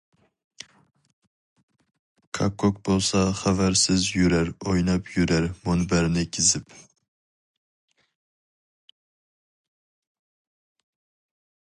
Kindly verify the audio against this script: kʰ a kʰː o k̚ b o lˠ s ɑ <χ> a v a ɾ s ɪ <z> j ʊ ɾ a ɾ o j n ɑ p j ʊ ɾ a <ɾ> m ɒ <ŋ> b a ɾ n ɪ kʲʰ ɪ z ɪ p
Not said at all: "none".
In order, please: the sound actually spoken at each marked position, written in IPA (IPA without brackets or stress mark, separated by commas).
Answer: χ, z, ɾ, n